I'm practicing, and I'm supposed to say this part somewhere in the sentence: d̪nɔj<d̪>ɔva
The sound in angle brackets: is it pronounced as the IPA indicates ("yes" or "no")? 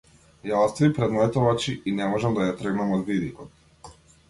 no